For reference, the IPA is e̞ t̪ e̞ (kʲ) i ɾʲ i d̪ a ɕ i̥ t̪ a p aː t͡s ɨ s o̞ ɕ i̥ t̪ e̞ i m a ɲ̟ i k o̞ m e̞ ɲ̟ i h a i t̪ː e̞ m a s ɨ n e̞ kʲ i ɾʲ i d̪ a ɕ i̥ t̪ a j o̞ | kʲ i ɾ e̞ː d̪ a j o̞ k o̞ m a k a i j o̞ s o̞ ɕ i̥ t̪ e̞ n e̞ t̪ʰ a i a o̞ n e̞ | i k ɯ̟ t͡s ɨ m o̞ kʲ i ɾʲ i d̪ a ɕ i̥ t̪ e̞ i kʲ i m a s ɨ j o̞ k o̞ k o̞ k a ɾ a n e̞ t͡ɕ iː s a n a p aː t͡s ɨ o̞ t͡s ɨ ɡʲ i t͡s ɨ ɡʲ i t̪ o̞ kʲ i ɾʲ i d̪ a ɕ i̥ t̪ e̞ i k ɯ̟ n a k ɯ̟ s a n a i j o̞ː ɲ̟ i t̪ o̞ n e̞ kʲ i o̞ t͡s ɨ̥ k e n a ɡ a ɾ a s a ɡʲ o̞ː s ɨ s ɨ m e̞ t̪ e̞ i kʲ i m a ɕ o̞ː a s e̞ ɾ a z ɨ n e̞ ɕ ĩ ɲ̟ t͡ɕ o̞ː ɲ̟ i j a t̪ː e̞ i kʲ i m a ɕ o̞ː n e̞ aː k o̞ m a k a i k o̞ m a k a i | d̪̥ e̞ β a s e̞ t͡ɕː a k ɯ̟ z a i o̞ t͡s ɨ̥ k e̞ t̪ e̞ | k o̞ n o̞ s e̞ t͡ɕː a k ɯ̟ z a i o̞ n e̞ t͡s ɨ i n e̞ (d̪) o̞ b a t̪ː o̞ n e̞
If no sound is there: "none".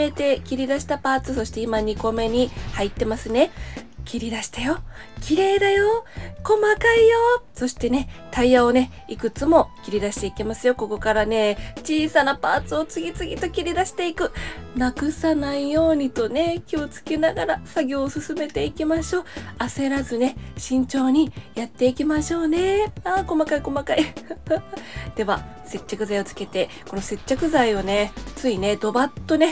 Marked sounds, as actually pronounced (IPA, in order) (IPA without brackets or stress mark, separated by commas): kʲ, d̪